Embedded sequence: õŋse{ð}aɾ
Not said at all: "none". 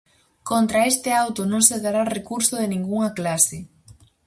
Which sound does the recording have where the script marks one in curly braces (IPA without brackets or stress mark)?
ð